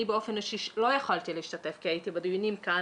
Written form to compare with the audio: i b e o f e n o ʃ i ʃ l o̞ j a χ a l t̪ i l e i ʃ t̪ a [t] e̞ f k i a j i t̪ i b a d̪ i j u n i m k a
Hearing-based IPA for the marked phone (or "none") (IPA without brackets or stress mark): t